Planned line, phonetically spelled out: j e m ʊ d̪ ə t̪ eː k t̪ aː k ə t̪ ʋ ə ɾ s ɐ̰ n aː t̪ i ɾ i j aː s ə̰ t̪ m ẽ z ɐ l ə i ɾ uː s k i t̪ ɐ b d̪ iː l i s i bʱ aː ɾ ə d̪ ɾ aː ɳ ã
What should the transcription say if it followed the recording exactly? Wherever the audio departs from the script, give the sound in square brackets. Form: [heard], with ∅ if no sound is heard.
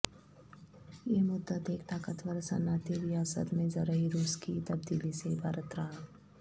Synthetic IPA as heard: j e m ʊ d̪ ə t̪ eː k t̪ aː k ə t̪ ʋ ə ɾ s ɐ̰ n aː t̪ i ɾ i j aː s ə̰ t̪ m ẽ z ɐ [ɾ] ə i ɾ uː s k i t̪ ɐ b d̪ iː l i s [e] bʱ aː ɾ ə [t̪] ɾ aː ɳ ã